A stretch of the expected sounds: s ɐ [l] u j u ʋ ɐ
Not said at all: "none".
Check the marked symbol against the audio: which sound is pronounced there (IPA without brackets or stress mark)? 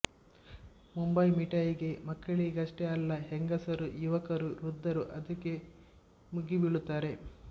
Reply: ɾ